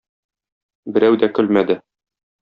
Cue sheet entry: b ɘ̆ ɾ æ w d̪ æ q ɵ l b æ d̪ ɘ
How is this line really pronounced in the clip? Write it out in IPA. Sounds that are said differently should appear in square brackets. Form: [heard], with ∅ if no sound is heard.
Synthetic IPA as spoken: b ɘ̆ ɾ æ w d̪ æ [k] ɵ l [m] æ d̪ ɘ